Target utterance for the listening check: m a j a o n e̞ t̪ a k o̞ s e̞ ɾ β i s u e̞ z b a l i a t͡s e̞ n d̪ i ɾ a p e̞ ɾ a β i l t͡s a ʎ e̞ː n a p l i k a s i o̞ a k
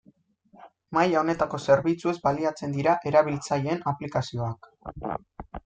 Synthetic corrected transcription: m a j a o n e̞ t̪ a k o̞ s e̞ ɾ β i t͡s u e̞ z b a l i a t͡s e̞ n d̪ i ɾ a ʔ e̞ ɾ a β i l t͡s a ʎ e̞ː n a p l i k a s i o̞ a k

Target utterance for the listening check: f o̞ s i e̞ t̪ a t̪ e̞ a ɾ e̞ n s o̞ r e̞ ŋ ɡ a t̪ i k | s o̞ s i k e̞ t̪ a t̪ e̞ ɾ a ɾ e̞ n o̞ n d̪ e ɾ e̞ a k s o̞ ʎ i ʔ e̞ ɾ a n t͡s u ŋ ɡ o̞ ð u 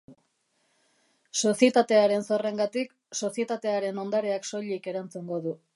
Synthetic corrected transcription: s o̞ s i e̞ t̪ a t̪ e̞ a ɾ e̞ n s o̞ r e̞ ŋ ɡ a t̪ i k | s o̞ s i e̞ t̪ a t̪ e̞ a ɾ e̞ n o̞ n d̪ a ɾ e̞ a k s o̞ ʎ i k e̞ ɾ a n t͡s u ŋ ɡ o̞ ð u

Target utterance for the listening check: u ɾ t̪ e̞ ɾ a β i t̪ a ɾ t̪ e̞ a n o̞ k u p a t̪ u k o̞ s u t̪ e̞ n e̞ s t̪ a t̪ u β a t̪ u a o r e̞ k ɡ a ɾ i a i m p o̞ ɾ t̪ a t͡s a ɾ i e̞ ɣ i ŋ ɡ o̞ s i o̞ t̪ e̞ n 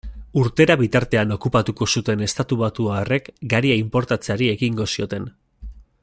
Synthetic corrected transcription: u ɾ t̪ e̞ ɾ a β i t̪ a ɾ t̪ e̞ a n o̞ k u p a t̪ u k o̞ s u t̪ e̞ n e̞ s t̪ a t̪ u β a t̪ u a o r e̞ k ɡ a ɾ i a i m p o̞ ɾ t̪ a t͡s a ɾ i e̞ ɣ i ŋ ɡ o̞ s i o̞ t̪ e̞ n

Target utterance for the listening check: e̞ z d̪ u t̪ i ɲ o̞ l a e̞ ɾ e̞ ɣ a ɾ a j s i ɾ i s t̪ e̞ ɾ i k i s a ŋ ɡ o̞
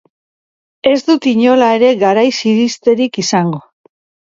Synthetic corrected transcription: e̞ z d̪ u t̪ i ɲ o̞ l a e̞ ɾ e̞ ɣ a ɾ a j s i ɾ i s t̪ e̞ ɾ i k i s a ŋ ɡ o̞

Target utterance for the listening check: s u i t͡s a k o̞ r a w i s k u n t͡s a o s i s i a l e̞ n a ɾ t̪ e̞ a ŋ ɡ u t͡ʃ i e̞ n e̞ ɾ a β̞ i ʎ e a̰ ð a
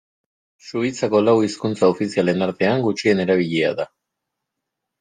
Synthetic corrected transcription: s u i t͡s a k o̞ l a w i s k u n t͡s a o f i s i a l e̞ n a ɾ t̪ e̞ a ŋ ɡ u t͡ʃ i e̞ n e̞ ɾ a β̞ i ʎ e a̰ ð a

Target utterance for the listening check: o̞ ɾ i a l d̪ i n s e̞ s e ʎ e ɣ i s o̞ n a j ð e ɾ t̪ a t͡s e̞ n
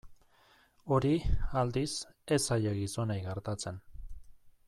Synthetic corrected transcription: o̞ ɾ i a l d̪ i s e̞ s a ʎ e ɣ i s o̞ n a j ɣ e ɾ t̪ a t͡s e̞ n

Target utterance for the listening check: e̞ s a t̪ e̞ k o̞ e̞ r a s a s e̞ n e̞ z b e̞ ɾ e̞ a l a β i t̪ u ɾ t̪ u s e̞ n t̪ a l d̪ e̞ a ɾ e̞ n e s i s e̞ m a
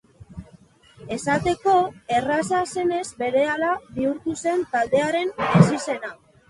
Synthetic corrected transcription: e̞ s a t̪ e̞ k o̞ e̞ r a s a s e̞ n e̞ z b e̞ ɾ e̞ a l a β i u ɾ t̪ u s e̞ n t̪ a l d̪ e̞ a ɾ e̞ n e s i s e̞ n a

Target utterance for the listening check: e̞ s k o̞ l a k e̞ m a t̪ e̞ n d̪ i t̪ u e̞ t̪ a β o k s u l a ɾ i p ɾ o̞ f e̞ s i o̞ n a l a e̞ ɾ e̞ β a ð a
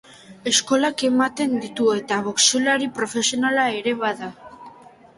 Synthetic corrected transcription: e̞ s k o̞ l a k e̞ m a t̪ e̞ n d̪ i t̪ u e̞ t̪ a β o k s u l a ɾ i p ɾ o̞ f e̞ s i o̞ n a l a e̞ ɾ e̞ β a ð a

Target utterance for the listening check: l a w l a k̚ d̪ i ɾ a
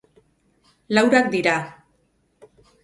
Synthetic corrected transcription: l a w ɾ a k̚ d̪ i ɾ a

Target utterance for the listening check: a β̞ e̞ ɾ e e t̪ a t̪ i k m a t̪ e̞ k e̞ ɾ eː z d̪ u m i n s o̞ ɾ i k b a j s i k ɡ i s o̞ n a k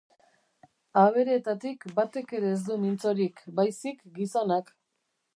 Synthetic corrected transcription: a β̞ e̞ ɾ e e t̪ a t̪ i k b a t̪ e̞ k e̞ ɾ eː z d̪ u m i n t͡s o̞ ɾ i k b a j s i k ɡ i s o̞ n a k

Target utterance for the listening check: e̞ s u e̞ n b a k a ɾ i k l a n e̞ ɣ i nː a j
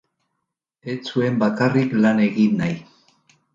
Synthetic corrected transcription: e̞ t͡s u e̞ m b a k a r i k l a n e̞ ɣ i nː a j

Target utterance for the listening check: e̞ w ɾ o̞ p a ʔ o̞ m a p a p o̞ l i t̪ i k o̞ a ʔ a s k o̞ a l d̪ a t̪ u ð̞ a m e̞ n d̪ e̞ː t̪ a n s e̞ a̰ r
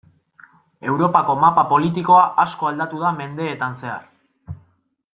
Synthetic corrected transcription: e̞ w ɾ o̞ p a k o̞ m a p a p o̞ l i t̪ i k o̞ a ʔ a s k o̞ a l d̪ a t̪ u ð̞ a m e̞ n d̪ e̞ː t̪ a n s e̞ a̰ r

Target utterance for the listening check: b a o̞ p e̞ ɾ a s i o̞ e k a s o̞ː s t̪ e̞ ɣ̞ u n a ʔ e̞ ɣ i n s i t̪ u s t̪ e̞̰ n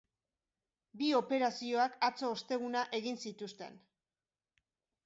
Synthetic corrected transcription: b i o̞ p e̞ ɾ a s i o̞ a k a t͡s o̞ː s t̪ e̞ ɣ̞ u n a ʔ e̞ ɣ i n s i t̪ u s t̪ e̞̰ n

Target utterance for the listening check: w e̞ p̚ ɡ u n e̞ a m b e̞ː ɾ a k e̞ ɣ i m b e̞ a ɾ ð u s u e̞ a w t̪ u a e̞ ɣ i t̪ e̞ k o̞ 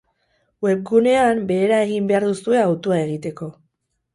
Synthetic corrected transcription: w e̞ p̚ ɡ u n e̞ a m b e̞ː ɾ a e̞ ɣ i m b e̞ a ɾ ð u s u e̞ a w t̪ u a e̞ ɣ i t̪ e̞ k o̞

